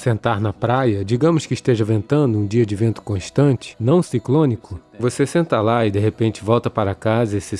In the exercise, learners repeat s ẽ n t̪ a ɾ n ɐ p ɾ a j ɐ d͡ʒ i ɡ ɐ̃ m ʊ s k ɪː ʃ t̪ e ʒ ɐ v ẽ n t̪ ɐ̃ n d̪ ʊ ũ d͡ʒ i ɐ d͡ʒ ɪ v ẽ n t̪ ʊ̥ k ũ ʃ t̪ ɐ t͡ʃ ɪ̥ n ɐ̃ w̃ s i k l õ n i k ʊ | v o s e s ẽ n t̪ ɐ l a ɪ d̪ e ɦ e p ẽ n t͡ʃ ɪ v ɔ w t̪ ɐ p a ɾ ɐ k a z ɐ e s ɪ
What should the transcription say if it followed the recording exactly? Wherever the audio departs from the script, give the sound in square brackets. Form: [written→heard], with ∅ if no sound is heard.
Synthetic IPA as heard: s ẽ n t̪ a ɾ n ɐ p ɾ a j ɐ d͡ʒ i ɡ ɐ̃ m ʊ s k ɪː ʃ t̪ e ʒ ɐ v ẽ n t̪ ɐ̃ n d̪ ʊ ũ d͡ʒ i ɐ d͡ʒ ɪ v ẽ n t̪ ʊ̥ k [ũ→õ] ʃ t̪ [ɐ→ɐ̃] t͡ʃ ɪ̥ n ɐ̃ w̃ s i k l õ n i k ʊ | v o s e s ẽ n t̪ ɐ l a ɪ d̪ e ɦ e p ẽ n t͡ʃ ɪ v ɔ w t̪ ɐ p a ɾ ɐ k a z ɐ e s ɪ